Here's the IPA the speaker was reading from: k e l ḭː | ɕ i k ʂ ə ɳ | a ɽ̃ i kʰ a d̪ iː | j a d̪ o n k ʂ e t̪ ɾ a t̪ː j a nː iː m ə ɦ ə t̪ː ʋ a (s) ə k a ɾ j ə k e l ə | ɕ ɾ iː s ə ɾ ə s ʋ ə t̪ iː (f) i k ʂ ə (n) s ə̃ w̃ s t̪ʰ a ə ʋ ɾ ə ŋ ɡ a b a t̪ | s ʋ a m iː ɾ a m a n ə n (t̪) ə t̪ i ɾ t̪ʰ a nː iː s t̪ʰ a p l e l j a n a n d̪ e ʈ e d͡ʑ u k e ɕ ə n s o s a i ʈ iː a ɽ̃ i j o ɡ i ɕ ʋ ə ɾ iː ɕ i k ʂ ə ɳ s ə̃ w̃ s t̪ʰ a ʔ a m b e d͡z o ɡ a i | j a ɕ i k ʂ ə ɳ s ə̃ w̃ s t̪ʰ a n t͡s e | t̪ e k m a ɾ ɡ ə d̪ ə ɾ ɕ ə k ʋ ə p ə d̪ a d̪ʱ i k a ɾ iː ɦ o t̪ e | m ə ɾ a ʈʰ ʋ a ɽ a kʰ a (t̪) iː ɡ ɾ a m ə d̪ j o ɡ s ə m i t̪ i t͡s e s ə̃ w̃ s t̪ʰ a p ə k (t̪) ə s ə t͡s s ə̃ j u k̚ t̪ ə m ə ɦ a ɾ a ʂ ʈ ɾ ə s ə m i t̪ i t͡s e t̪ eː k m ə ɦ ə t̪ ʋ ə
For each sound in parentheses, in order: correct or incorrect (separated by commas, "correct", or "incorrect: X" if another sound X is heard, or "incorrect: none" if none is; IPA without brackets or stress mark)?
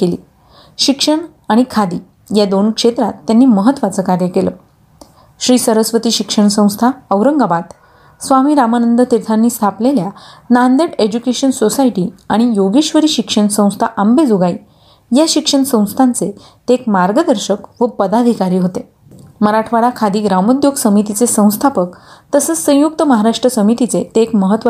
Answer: incorrect: t͡s, incorrect: ɕ, incorrect: ɳ, incorrect: d̪, incorrect: d̪, correct